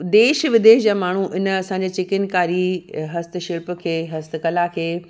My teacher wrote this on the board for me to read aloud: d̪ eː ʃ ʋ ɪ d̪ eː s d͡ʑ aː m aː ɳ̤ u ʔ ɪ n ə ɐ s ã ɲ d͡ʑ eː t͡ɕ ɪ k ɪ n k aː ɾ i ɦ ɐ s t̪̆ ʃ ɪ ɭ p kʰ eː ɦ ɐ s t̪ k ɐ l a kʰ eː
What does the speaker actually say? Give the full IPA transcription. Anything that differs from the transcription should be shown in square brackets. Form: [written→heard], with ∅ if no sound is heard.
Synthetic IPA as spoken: d̪ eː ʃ ʋ ɪ d̪ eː [s→ʃ] d͡ʑ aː m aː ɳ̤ u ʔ ɪ n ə ɐ s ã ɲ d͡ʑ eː t͡ɕ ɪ k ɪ n k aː ɾ i ɦ ɐ s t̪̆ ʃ ɪ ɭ p kʰ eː ɦ ɐ s t̪ k ɐ l a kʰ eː